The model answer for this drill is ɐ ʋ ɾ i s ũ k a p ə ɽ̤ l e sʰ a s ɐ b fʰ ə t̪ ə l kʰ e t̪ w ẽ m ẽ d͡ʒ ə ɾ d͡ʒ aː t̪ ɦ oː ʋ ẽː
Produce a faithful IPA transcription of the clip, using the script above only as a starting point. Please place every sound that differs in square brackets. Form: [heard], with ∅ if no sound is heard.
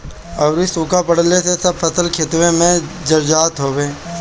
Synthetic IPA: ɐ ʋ ɾ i s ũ k a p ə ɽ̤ l e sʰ [e] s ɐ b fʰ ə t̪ ə l kʰ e t̪ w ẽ m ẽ d͡ʒ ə ɾ d͡ʒ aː t̪ ɦ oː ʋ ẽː